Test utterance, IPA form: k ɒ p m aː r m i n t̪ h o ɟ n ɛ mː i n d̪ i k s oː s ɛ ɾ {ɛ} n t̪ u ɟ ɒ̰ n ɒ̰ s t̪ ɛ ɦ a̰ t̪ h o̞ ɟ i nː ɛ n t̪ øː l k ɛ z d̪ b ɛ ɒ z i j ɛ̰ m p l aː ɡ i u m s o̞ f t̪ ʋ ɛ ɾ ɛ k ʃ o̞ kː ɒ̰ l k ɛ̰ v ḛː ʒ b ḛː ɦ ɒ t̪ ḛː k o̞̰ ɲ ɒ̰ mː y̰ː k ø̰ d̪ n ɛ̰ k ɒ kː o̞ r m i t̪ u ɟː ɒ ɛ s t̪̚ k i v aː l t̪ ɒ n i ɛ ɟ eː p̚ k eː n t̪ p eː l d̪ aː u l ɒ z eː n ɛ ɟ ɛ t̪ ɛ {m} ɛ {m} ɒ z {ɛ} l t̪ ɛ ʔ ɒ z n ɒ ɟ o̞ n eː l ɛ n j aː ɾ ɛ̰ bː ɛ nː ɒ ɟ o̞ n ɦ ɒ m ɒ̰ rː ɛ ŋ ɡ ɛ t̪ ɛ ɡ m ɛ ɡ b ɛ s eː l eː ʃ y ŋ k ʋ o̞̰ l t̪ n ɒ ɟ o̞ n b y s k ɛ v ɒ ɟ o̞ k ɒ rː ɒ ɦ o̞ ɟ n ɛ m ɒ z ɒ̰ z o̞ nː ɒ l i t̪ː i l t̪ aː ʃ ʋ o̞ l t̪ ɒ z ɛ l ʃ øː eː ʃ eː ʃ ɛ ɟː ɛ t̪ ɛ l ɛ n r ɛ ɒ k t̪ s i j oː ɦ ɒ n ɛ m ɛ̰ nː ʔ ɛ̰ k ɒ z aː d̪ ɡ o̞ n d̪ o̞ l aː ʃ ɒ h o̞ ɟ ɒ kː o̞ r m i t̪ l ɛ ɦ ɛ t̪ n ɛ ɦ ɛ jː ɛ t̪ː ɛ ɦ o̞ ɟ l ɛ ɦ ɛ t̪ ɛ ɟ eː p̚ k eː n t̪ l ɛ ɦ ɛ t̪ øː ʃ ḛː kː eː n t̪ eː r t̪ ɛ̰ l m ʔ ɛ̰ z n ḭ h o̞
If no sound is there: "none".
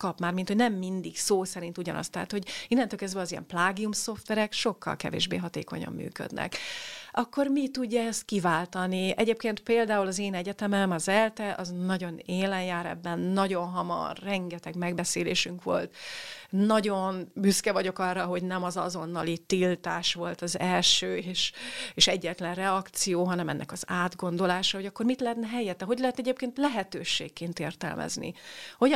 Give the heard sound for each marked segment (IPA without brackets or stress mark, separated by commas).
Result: i, m, m, ɛ